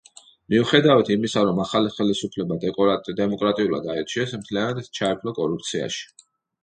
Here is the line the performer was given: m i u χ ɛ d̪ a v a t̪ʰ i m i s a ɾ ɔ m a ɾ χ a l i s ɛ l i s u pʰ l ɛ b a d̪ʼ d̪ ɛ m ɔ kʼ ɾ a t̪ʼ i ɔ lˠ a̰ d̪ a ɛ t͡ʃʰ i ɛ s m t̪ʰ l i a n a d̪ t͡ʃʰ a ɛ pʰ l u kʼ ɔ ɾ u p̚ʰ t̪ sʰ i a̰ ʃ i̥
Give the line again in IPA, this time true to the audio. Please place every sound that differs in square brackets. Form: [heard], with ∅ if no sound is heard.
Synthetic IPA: m i u χ ɛ d̪ a v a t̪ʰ i m i s a ɾ ɔ m a [∅] χ a l i [χ] ɛ l i s u pʰ l ɛ b a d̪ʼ d̪ ɛ m ɔ kʼ ɾ a t̪ʼ i [u] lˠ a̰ d̪ a ɛ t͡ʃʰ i ɛ s m t̪ʰ l i a n a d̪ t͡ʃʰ a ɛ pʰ l [ɔ] kʼ ɔ ɾ u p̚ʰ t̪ sʰ i a̰ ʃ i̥

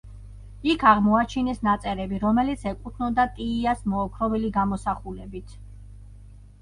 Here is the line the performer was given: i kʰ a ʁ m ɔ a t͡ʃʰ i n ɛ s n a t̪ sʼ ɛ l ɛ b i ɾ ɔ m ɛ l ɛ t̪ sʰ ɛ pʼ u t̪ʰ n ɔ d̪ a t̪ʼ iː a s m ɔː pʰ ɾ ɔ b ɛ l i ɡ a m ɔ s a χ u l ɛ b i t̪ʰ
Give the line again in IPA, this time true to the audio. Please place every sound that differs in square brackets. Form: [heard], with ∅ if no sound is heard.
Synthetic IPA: i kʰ a ʁ m ɔ a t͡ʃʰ i n ɛ s n a t̪ sʼ ɛ [ɾ] ɛ b i ɾ ɔ m ɛ l [i] t̪ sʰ ɛ [kʼ] u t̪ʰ n ɔ d̪ a t̪ʼ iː a s m ɔː [kʰ] ɾ ɔ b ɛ l i ɡ a m ɔ s a χ u l ɛ b i t̪ʰ

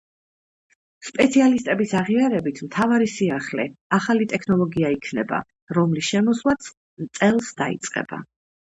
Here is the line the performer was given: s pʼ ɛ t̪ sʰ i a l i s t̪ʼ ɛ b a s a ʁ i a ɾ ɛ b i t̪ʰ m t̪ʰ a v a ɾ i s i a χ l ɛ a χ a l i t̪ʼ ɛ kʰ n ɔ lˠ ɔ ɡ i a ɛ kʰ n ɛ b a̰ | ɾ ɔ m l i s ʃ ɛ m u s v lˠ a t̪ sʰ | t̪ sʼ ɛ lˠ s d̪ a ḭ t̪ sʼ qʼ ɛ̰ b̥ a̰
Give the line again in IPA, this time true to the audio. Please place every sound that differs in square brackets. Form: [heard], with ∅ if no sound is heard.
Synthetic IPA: s pʼ ɛ t̪ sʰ i a l i s t̪ʼ ɛ b [i] s a ʁ i a ɾ ɛ b i t̪ʰ m t̪ʰ a v a ɾ i s i a χ l ɛ a χ a l i t̪ʼ ɛ kʰ n ɔ lˠ ɔ ɡ i a [i] kʰ n ɛ b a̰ | ɾ ɔ m l i s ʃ ɛ m [ɔ] s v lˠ a t̪ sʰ | t̪ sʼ ɛ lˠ s d̪ a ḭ t̪ sʼ qʼ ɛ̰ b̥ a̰

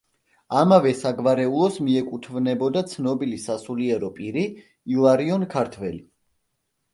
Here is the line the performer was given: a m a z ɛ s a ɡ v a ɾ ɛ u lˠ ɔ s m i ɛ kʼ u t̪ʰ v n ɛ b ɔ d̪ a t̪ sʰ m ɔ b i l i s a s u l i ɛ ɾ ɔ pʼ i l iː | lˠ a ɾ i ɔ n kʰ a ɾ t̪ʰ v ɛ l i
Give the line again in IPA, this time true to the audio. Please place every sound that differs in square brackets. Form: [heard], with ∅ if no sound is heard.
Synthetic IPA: a m a [v] ɛ s a ɡ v a ɾ ɛ u lˠ ɔ s m i ɛ kʼ u t̪ʰ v n ɛ b ɔ d̪ a t̪ sʰ [n] ɔ b i l i s a s u l i ɛ ɾ ɔ pʼ i [ɾ] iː | lˠ a ɾ i ɔ n kʰ a ɾ t̪ʰ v ɛ l i

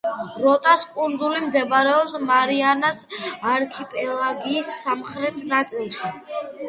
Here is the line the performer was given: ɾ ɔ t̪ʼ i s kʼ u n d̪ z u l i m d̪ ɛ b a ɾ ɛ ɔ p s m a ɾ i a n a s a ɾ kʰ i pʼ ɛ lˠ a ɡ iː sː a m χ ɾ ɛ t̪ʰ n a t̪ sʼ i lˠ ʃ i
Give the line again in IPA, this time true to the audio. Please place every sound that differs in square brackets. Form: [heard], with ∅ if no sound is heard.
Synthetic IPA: ɾ ɔ t̪ʼ [a] s kʼ u n d̪ z u l i m d̪ ɛ b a ɾ ɛ ɔ p s m a ɾ i a n a s a ɾ kʰ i pʼ ɛ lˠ a ɡ iː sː a m χ ɾ ɛ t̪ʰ n a t̪ sʼ i lˠ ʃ i

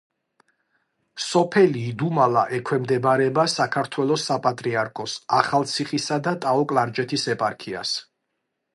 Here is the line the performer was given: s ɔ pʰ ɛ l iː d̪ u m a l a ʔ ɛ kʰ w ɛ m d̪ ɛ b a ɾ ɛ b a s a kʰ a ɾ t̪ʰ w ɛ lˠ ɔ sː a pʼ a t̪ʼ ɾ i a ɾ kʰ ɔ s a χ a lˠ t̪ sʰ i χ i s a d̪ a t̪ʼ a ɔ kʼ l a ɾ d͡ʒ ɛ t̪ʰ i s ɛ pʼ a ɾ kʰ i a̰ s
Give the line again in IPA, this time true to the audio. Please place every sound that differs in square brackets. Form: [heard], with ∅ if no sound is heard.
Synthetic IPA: s ɔ pʰ ɛ l iː d̪ u m a l a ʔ ɛ kʰ w ɛ m d̪ ɛ b a ɾ ɛ b a s a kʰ a ɾ t̪ʰ w ɛ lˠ ɔ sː a pʼ a t̪ʼ ɾ i a ɾ kʰ ɔ s a χ a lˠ t̪ sʰ i χ i s a d̪ a t̪ʼ a ɔ kʼ l a ɾ d͡ʒ ɛ t̪ʰ i s ɛ pʼ a ɾ kʰ i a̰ s

